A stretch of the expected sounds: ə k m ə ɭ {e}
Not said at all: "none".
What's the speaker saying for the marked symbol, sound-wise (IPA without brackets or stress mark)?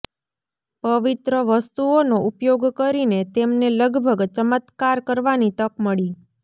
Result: i